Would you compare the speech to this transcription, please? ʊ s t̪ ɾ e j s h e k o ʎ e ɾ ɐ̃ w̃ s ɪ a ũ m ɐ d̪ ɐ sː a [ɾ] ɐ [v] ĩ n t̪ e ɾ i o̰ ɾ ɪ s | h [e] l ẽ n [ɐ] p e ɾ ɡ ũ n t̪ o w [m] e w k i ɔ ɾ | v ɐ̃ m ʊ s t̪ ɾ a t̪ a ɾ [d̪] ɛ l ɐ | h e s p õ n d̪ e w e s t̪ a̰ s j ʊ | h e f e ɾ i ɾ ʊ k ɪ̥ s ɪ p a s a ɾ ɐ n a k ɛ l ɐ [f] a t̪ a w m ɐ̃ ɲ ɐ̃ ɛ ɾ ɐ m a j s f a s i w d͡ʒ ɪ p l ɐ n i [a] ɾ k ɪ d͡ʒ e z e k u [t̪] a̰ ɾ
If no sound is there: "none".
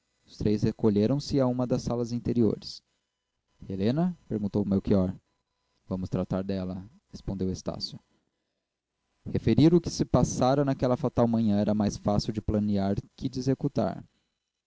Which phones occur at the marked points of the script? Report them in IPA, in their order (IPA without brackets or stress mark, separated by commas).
l, z, e, ɐ, m, d̪, f, a, t̪